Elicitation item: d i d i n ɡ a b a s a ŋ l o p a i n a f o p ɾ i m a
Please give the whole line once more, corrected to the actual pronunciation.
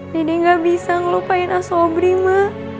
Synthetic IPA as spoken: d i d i ŋ ɡ a b i s a ŋ l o p a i n a s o b ɾ i m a